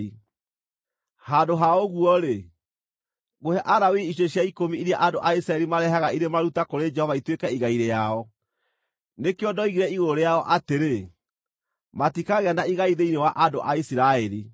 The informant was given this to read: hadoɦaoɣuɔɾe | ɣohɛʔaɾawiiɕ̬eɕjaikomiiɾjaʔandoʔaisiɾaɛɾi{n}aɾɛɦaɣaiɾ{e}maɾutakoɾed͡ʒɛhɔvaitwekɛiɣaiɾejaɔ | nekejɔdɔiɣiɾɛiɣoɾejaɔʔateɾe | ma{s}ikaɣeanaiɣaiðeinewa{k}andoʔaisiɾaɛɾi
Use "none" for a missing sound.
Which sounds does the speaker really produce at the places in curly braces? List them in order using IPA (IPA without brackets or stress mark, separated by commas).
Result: m, e, t, ʔ